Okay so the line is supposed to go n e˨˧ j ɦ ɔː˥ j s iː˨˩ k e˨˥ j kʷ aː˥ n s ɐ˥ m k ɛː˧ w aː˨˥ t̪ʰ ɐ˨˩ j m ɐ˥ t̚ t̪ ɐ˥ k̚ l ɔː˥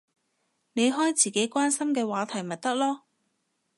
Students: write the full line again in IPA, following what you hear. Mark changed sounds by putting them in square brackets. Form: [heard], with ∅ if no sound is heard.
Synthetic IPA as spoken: n e˨˧ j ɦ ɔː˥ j [t͡s] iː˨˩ k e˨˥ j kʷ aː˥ n s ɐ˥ m k ɛː˧ w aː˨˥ t̪ʰ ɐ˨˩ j m [ɐ˨] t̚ t̪ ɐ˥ k̚ l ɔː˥